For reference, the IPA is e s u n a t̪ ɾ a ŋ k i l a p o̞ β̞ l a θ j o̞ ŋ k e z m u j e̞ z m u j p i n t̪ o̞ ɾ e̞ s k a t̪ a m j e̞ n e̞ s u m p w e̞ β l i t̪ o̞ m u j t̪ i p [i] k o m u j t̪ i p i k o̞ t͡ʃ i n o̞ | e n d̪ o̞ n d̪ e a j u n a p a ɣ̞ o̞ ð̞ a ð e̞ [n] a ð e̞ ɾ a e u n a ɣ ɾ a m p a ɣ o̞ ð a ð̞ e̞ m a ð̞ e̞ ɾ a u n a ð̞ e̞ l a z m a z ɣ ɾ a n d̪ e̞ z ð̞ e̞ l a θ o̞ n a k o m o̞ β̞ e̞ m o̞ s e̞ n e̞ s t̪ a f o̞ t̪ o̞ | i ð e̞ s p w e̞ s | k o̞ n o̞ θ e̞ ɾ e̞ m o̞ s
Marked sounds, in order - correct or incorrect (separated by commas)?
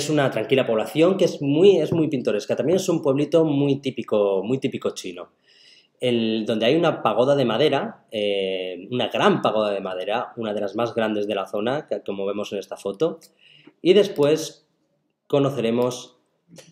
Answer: correct, incorrect